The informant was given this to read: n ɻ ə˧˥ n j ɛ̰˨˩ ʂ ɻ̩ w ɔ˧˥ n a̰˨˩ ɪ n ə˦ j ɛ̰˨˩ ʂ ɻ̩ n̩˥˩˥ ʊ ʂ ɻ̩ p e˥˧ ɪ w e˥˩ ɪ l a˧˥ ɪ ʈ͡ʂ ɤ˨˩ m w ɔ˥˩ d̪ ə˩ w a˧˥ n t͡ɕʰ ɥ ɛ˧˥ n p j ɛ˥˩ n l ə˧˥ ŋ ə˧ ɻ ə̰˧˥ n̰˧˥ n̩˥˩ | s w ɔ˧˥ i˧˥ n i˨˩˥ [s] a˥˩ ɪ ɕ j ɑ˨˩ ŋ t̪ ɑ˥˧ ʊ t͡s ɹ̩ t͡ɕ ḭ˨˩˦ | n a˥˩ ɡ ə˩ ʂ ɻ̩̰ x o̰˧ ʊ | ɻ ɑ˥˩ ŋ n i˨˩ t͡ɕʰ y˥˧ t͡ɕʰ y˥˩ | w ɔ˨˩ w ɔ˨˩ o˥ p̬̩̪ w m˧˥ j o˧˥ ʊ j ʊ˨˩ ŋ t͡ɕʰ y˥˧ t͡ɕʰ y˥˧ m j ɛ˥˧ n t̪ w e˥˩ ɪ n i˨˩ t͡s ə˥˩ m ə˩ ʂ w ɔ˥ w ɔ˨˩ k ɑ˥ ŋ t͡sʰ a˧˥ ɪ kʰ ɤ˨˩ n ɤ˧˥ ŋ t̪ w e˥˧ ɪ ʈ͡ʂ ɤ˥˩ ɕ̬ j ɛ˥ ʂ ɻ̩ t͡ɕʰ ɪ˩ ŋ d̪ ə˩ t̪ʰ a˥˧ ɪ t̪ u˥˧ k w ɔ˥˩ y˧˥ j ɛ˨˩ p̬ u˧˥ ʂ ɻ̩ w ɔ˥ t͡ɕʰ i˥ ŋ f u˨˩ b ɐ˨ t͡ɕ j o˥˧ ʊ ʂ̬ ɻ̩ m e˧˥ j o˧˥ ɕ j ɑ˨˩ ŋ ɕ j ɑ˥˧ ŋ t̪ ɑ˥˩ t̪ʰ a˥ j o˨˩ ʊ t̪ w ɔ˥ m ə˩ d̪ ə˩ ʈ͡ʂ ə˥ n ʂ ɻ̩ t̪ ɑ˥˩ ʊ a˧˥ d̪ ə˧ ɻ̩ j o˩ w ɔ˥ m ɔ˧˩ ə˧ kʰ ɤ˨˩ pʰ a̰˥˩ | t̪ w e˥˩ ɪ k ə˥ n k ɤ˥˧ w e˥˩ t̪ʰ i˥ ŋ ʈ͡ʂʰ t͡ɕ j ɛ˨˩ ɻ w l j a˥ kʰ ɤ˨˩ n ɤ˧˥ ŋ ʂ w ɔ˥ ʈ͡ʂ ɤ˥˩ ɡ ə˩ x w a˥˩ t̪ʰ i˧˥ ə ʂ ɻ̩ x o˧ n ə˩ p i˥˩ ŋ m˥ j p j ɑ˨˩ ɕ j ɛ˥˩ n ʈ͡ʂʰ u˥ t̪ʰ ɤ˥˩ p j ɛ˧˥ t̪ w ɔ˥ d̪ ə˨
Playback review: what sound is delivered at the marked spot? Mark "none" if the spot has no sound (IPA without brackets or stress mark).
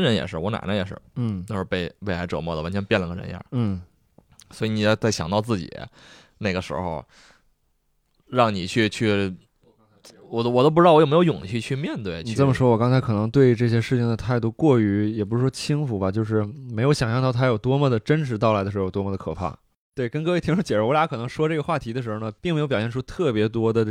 t͡s